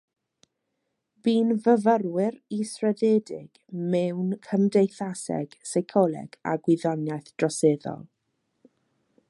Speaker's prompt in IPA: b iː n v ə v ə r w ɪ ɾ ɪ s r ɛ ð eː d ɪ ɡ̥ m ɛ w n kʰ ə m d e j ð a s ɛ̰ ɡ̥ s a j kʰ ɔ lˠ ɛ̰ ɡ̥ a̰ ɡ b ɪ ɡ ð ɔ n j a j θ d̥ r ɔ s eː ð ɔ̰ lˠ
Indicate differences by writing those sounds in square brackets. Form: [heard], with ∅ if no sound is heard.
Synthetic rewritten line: b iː n v ə v ə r w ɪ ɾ [i] s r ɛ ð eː d ɪ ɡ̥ m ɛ w n kʰ ə m d e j [θ] a s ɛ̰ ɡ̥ s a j kʰ ɔ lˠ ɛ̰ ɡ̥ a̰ ɡ [w] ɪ [∅] ð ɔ n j a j θ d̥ r ɔ s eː ð ɔ̰ lˠ